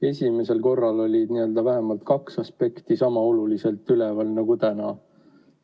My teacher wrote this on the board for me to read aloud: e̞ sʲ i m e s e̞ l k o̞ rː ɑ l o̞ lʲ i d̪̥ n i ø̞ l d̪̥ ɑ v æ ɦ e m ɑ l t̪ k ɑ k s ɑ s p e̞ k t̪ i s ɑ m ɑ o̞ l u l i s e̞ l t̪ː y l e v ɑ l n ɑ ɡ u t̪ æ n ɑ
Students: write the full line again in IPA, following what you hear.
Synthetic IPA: e̞ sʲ i m e s e̞ l k o̞ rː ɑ l o̞ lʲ i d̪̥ n i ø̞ l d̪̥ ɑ v æ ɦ e m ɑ l t̪ k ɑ k s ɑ s p e̞ k t̪ i s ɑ m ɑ o̞ l u l i s e̞ l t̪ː y l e v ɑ l n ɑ ɡ u t̪ æ n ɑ